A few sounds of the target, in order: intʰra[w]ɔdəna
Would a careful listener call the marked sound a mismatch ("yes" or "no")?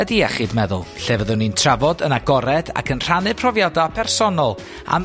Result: yes